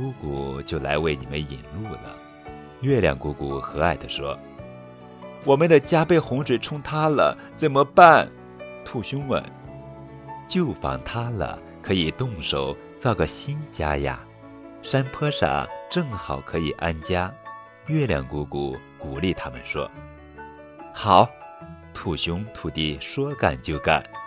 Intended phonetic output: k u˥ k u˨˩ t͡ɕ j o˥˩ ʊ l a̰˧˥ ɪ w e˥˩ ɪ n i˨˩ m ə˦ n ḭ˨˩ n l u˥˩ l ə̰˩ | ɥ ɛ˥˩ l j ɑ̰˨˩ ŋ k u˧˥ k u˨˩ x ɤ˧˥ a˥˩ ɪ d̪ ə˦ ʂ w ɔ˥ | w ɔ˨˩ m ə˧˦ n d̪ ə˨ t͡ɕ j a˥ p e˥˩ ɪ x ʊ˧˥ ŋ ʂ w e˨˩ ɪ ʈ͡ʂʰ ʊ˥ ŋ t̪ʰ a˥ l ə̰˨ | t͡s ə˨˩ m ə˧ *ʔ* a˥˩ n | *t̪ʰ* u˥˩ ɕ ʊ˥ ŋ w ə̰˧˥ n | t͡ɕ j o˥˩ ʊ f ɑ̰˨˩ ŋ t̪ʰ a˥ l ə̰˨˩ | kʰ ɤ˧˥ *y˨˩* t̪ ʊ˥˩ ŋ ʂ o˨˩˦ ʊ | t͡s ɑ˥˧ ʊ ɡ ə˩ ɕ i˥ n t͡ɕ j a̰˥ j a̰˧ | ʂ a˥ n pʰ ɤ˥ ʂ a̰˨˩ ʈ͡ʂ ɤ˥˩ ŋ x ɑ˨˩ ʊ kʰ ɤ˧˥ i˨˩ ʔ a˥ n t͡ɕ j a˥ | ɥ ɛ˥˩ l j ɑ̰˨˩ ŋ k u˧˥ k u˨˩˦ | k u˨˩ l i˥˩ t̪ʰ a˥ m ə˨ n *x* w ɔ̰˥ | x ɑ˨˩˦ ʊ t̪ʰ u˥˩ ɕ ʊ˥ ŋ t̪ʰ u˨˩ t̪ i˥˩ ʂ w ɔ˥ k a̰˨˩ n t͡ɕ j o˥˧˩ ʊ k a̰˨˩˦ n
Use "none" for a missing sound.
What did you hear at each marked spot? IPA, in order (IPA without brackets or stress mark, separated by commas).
p, t̪ʰ, i˨˩, ʂ